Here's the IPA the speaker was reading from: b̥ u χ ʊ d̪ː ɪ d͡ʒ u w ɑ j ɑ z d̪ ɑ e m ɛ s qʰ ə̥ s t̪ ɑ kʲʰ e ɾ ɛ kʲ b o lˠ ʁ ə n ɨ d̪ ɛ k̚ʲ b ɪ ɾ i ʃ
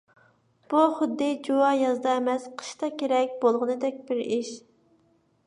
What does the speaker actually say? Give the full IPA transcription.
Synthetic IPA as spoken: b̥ u χ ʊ d̪ː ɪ d͡ʒ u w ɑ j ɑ z d̪ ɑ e m ɛ s qʰ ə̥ ʃ t̪ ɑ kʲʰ e ɾ ɛ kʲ b o lˠ ʁ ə n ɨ d̪ ɛ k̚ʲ b ɪ ɾ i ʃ